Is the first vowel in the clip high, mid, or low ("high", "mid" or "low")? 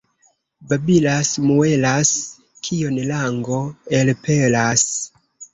low